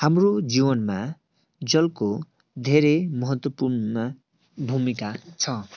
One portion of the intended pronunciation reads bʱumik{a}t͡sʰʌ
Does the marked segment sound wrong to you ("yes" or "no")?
no